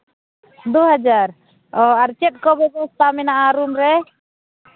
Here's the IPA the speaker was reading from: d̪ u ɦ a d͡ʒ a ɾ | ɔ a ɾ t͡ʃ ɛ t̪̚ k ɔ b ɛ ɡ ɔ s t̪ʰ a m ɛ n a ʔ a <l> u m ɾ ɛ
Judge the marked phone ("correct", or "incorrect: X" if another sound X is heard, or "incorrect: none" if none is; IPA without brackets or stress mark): incorrect: ɾ